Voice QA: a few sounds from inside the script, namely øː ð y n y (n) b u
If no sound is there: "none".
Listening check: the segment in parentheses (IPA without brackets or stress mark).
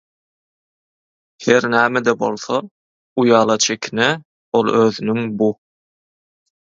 ŋ